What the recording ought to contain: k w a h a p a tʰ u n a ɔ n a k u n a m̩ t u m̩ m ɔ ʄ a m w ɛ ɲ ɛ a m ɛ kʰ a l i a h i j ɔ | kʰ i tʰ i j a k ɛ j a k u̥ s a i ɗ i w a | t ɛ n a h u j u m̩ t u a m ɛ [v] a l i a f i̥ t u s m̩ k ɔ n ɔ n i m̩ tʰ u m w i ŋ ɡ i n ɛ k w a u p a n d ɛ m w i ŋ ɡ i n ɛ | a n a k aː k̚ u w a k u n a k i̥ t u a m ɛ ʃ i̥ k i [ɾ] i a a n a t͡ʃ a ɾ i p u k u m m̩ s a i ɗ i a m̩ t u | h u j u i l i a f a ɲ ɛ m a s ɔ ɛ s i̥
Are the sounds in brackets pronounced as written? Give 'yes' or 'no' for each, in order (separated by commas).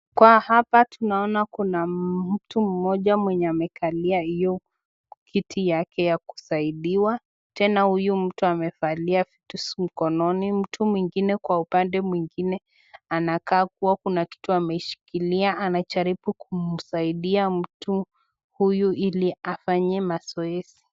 no, no